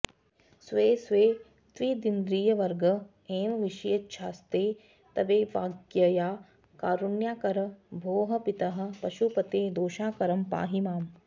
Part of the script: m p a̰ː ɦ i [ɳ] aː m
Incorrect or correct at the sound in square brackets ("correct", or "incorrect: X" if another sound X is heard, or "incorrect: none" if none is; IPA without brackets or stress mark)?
incorrect: m